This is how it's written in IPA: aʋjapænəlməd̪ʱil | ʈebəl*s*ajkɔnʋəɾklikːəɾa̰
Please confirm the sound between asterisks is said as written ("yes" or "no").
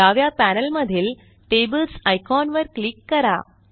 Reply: yes